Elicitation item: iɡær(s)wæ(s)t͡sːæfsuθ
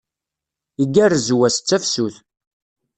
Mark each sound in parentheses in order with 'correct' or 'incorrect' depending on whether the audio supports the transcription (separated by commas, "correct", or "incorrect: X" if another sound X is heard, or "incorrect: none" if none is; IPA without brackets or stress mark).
incorrect: z, correct